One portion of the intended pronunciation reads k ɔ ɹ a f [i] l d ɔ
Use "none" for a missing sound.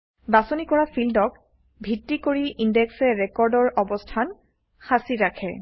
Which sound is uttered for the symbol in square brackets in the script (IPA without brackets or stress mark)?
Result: i